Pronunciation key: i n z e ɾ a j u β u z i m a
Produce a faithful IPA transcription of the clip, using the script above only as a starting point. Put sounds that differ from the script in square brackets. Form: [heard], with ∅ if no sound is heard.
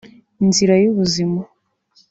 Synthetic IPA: i n z [i] ɾ a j u β u z i m a